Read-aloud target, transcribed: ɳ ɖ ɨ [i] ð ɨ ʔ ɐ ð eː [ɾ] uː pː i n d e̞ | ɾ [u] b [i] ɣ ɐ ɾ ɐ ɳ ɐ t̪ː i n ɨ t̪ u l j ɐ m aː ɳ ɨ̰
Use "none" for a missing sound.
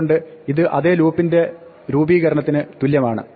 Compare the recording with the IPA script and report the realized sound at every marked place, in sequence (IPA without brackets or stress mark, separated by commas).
i, l, uː, iː